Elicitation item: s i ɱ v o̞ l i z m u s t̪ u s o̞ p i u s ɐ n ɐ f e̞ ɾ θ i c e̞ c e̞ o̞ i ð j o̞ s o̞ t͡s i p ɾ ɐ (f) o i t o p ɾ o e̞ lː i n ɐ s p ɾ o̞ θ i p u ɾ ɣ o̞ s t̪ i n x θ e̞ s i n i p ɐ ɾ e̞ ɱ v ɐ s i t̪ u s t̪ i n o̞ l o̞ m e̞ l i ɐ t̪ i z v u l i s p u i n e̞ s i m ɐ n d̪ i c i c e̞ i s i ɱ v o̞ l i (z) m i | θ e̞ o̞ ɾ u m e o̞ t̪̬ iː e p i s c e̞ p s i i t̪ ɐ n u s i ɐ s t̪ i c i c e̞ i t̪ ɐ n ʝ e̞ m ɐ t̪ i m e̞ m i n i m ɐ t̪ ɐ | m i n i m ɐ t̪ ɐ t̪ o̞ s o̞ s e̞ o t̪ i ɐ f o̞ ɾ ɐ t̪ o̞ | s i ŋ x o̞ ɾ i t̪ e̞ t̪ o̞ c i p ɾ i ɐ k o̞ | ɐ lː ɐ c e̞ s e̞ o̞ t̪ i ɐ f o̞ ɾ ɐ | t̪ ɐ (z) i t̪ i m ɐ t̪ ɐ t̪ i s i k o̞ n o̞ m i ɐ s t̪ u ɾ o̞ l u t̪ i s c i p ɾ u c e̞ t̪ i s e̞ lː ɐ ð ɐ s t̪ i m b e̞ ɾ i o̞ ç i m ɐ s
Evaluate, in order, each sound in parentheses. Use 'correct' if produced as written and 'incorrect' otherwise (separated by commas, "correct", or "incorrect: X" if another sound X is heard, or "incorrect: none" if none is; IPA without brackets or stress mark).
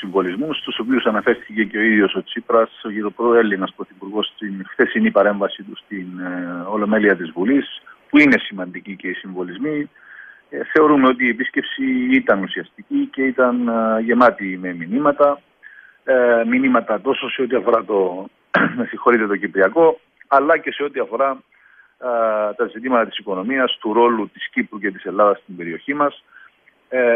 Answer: incorrect: s, correct, correct